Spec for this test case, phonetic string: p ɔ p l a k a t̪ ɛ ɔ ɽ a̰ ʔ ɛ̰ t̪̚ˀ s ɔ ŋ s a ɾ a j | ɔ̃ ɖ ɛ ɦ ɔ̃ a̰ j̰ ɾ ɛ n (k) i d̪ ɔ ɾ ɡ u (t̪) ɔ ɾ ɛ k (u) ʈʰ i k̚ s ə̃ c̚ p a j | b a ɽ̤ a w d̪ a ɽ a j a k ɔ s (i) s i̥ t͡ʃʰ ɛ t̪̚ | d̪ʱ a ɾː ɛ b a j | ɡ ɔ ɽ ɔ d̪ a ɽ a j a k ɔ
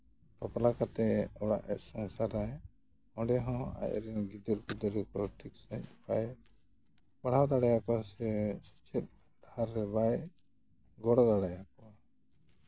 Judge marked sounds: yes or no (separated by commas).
no, no, no, no